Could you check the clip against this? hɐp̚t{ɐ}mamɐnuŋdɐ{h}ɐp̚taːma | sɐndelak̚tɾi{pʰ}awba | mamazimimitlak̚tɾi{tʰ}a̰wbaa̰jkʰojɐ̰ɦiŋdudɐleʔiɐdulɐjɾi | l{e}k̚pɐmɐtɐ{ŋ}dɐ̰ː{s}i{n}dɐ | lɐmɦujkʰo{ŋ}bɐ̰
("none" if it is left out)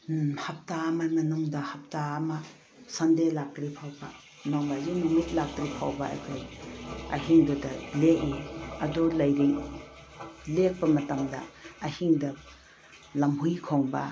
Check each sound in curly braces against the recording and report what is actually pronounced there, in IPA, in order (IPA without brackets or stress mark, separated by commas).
a, h, pʰ, pʰ, e, m, h, ŋ, ŋ